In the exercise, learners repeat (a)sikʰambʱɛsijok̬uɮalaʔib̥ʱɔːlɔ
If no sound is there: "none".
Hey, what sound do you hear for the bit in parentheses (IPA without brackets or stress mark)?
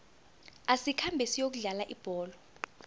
a